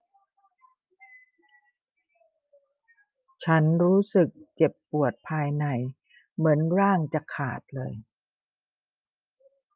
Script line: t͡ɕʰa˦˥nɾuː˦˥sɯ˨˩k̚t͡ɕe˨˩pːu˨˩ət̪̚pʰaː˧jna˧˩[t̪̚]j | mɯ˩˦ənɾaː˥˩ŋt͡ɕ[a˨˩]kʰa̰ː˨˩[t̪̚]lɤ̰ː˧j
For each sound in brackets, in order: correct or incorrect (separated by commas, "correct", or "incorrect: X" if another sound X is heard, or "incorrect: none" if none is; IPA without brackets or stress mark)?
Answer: incorrect: none, correct, correct